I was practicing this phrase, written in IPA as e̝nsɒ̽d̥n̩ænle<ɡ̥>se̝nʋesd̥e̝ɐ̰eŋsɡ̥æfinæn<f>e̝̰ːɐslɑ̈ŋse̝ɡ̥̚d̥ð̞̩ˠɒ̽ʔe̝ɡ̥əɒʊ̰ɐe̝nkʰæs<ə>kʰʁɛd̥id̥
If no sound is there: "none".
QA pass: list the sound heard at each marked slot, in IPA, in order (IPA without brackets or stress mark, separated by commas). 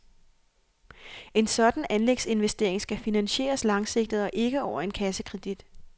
ɡ̥, ɕ, ə